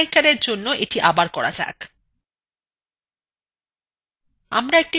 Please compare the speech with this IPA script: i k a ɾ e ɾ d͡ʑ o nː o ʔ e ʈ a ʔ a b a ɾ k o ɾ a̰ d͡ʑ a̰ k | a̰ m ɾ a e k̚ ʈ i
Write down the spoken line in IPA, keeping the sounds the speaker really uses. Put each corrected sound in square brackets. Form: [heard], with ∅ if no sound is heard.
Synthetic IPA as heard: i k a ɾ e ɾ d͡ʑ o nː o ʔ e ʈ [i] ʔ a b a ɾ k [ɔ] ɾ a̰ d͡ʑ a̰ k | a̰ m ɾ a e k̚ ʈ i